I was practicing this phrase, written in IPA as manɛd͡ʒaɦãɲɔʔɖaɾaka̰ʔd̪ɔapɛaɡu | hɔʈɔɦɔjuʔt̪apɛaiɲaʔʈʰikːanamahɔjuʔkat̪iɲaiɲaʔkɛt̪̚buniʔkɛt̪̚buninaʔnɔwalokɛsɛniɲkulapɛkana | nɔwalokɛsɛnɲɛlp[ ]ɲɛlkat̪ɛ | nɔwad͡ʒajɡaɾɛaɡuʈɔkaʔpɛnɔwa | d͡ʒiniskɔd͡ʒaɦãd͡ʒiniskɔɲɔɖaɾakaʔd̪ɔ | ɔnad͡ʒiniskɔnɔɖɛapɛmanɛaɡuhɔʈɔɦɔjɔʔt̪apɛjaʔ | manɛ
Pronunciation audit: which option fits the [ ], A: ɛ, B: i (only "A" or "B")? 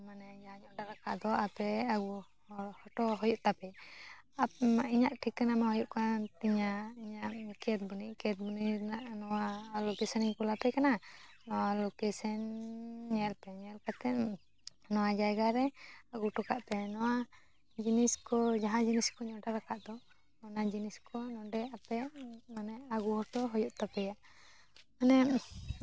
A